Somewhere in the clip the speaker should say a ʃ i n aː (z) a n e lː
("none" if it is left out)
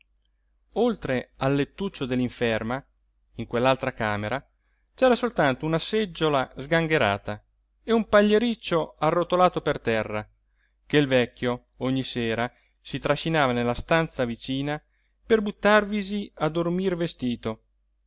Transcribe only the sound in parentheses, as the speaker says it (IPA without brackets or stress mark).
v